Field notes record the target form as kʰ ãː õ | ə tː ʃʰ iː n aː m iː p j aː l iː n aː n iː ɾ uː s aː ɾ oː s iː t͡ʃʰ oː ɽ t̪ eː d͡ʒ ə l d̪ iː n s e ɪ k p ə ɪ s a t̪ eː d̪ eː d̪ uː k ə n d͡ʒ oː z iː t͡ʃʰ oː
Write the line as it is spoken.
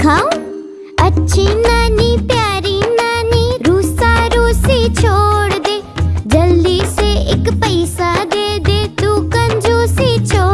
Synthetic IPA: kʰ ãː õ | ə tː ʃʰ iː n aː n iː p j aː ɾ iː n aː n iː ɾ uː s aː ɾ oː s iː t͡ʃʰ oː ɽ d̪ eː d͡ʒ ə l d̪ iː s e ɪ k p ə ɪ s a d̪ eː d̪ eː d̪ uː k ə n d͡ʒ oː s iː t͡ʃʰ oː